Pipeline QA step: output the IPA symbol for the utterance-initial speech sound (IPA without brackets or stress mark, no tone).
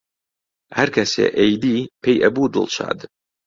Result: h